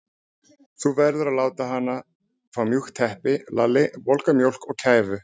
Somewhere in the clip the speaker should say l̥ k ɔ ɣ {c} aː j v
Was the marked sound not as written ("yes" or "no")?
yes